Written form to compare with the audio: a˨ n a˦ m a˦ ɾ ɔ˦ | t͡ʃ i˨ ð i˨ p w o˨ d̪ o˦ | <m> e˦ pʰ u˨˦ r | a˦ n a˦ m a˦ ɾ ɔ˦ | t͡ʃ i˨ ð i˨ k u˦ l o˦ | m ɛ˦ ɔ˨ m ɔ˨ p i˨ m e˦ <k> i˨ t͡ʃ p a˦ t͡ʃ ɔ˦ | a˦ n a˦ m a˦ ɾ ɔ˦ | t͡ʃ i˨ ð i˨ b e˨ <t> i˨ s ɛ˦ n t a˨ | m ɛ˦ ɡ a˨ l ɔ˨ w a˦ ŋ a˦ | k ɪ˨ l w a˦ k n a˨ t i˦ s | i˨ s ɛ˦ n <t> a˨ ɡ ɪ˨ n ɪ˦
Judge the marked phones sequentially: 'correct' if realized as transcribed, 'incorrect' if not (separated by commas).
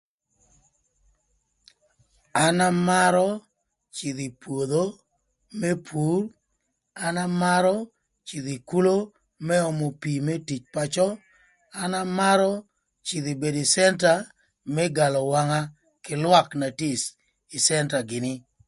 correct, incorrect, incorrect, correct